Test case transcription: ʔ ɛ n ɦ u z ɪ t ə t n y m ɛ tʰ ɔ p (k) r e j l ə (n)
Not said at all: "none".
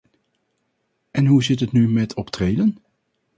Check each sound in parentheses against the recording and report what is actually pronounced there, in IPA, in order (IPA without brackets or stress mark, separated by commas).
t, n